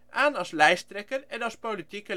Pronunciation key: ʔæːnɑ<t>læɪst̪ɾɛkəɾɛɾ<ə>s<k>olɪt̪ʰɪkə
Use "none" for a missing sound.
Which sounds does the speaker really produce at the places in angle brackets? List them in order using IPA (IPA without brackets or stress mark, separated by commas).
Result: s, ɑ, p